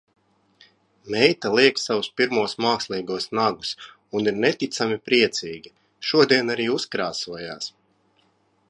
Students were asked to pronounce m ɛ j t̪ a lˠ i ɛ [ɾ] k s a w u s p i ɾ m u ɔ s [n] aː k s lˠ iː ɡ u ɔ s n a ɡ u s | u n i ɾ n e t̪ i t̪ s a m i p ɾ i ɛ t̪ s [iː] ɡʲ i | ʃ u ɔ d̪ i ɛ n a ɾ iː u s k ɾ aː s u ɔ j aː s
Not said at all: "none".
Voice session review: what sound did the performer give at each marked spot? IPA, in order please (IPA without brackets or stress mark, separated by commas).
none, m, iː